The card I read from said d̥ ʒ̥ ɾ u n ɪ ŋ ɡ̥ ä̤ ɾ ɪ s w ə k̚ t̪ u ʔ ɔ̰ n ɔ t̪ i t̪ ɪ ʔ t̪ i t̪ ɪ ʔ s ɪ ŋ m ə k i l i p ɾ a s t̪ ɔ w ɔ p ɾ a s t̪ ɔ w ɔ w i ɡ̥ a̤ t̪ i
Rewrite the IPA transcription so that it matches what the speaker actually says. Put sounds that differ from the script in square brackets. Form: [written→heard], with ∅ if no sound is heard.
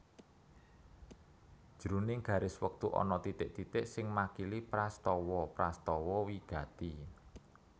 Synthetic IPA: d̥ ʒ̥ ɾ u n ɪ ŋ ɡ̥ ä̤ ɾ ɪ s w ə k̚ t̪ u ʔ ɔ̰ n ɔ t̪ i t̪ ɪ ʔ t̪ i t̪ ɪ ʔ s ɪ ŋ m [ə→a] k i l i p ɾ a s t̪ ɔ w ɔ p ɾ a s t̪ ɔ w ɔ w i ɡ̥ a̤ t̪ i